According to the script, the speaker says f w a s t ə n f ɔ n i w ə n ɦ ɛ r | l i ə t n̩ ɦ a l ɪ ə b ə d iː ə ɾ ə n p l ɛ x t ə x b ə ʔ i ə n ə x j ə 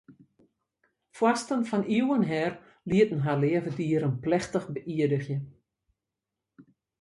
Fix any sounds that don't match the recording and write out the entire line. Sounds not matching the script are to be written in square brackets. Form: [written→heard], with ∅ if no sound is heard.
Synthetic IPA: f w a s t ə n f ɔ n i w ə n ɦ ɛ r | l i ə t n̩ ɦ a l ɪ ə [b→v] ə d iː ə ɾ ə n p l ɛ x t ə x b ə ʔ i ə [n→d] ə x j ə